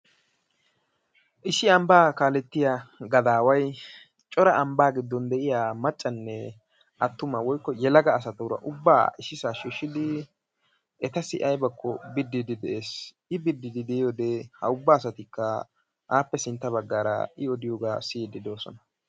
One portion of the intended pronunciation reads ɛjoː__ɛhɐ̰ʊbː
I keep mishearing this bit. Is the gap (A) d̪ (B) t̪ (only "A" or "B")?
A